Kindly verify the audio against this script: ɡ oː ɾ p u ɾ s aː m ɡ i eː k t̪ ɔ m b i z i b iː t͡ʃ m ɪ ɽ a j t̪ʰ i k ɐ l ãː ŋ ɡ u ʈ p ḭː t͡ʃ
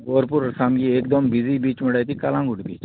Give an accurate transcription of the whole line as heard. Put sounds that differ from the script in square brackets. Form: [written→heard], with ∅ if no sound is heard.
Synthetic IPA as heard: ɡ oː ɾ p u ɾ s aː m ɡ i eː k [t̪→d̪] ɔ m b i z i b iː t͡ʃ m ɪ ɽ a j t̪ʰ i k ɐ l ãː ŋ ɡ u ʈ [p→b] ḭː t͡ʃ